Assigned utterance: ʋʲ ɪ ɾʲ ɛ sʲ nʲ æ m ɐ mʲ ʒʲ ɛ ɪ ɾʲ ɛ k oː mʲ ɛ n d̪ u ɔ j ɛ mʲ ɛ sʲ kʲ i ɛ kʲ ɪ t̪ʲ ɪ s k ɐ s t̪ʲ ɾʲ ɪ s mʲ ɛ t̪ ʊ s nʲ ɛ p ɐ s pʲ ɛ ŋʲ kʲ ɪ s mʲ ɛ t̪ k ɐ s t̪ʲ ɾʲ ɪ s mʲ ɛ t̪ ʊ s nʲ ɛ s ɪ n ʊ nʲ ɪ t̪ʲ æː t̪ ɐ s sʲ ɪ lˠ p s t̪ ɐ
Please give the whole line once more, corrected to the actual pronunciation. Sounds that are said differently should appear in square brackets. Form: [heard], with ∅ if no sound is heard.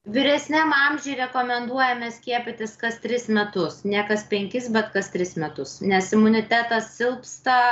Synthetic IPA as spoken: ʋʲ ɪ ɾʲ ɛ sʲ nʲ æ m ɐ mʲ ʒʲ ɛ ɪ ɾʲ ɛ k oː mʲ ɛ n d̪ u ɔ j ɛ mʲ ɛ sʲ kʲ i ɛ [pʲ] ɪ t̪ʲ ɪ s k ɐ s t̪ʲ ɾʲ ɪ s mʲ ɛ t̪ ʊ s nʲ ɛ [k] ɐ s pʲ ɛ ŋʲ kʲ ɪ s [bʲ] ɛ t̪ k ɐ s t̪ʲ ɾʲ ɪ s mʲ ɛ t̪ ʊ s nʲ ɛ s ɪ [m] ʊ nʲ ɪ t̪ʲ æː t̪ ɐ s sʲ ɪ lˠ p s t̪ ɐ